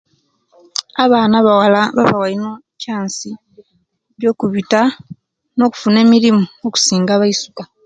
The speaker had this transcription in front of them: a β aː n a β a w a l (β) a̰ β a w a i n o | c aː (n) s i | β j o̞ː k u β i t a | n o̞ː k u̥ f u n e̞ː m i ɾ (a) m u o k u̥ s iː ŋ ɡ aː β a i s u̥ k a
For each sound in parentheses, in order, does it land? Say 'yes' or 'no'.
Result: yes, yes, no

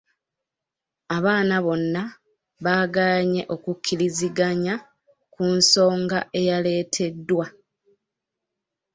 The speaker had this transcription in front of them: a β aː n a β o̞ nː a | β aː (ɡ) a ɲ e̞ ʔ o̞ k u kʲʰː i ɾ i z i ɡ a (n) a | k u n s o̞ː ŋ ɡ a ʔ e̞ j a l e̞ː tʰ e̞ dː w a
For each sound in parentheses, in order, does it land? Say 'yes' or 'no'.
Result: yes, no

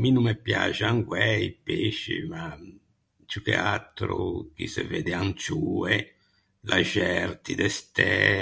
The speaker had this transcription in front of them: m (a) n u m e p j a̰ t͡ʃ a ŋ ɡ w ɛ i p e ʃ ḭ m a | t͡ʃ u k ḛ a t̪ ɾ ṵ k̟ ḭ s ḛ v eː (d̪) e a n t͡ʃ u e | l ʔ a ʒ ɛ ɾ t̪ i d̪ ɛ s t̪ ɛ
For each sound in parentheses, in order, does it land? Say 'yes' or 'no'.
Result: no, yes

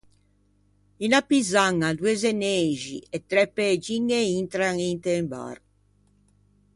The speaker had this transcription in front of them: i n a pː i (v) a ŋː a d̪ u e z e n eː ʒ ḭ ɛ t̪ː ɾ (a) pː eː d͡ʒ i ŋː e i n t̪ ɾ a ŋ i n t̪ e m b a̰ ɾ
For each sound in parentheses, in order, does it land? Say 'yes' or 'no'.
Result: no, no

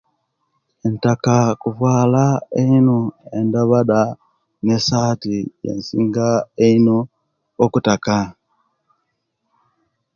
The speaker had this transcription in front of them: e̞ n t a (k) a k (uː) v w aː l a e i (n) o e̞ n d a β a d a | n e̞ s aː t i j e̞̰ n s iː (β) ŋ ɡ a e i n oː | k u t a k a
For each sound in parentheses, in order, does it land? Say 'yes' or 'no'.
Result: yes, no, yes, no

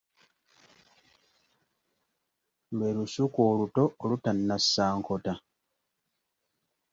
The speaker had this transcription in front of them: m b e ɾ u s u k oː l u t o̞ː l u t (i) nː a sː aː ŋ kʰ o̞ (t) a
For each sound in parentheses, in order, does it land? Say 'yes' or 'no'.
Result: no, yes

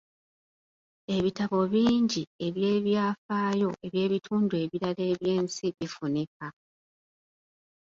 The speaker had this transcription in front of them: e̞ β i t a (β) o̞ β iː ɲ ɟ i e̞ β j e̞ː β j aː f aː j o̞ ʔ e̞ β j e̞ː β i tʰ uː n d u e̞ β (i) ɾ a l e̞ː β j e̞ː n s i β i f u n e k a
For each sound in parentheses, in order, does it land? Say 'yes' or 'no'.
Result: yes, yes

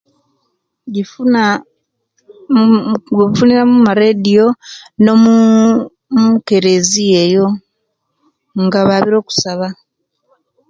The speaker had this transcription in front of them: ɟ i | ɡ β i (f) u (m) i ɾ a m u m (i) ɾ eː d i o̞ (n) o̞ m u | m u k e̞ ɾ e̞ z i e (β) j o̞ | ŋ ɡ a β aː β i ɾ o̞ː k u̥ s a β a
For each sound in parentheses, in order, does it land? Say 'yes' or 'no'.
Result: yes, no, no, yes, no

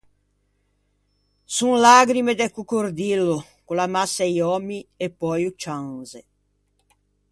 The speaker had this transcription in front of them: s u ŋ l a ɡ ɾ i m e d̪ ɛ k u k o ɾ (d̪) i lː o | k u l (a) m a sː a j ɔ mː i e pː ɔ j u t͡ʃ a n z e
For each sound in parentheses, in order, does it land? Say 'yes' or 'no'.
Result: yes, yes

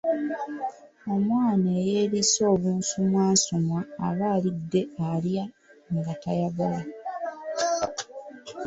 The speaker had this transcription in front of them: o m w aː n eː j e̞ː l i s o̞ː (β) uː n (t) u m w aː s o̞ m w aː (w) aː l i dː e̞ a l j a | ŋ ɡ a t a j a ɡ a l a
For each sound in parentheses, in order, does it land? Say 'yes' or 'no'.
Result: yes, no, no

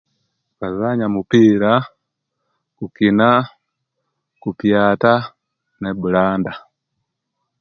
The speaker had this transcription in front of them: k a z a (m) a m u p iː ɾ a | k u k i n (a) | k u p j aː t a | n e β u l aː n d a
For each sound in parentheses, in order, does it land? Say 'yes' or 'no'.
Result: no, yes

